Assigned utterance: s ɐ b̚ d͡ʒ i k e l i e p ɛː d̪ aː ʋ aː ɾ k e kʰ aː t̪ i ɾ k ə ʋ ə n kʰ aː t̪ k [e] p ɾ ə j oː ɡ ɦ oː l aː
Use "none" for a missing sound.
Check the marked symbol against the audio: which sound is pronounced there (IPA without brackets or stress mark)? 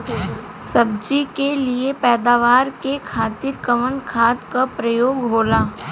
a